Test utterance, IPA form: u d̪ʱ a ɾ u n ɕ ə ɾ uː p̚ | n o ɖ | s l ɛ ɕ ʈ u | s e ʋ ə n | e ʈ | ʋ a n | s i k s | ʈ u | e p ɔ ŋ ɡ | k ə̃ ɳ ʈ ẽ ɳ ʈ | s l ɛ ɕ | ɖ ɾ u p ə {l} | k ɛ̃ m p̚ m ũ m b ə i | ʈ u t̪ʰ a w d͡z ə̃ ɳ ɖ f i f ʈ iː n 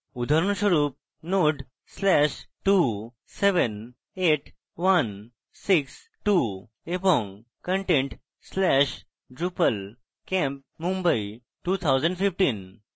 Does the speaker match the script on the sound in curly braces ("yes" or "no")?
yes